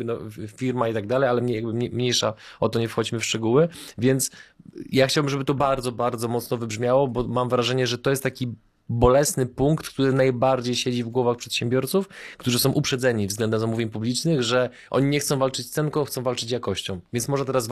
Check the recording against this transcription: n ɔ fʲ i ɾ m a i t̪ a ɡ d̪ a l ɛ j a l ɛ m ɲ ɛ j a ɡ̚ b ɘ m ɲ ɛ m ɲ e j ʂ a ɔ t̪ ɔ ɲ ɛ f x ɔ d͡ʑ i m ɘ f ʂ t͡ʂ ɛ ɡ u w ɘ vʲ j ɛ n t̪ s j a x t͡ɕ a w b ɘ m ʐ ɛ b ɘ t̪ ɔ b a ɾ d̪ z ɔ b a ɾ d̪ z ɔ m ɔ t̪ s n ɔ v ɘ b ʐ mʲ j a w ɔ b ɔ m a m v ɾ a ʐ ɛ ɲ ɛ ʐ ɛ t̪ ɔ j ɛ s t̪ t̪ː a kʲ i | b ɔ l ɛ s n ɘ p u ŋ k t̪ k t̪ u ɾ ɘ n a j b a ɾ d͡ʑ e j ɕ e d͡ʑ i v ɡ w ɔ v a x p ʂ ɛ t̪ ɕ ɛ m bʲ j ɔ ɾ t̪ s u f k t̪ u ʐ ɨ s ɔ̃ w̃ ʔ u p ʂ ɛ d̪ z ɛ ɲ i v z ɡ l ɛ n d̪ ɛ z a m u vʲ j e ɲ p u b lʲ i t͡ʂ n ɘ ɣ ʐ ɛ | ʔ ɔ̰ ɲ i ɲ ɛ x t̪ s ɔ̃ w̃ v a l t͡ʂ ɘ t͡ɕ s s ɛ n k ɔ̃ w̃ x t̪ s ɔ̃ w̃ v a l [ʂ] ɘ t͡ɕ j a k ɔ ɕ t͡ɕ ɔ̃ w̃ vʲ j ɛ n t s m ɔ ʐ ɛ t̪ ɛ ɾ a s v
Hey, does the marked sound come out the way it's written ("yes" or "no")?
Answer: no